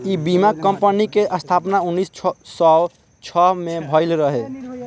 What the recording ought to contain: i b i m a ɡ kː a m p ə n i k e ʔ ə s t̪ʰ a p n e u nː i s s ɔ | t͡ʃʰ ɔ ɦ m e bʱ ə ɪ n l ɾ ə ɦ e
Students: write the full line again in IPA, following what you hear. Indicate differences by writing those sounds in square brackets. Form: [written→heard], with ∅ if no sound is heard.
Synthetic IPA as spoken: i b i m a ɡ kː [a→ə] m p ə n i k e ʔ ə s t̪ʰ a p n [e→a] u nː i s s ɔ | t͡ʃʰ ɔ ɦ m e bʱ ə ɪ [n→∅] l ɾ ə ɦ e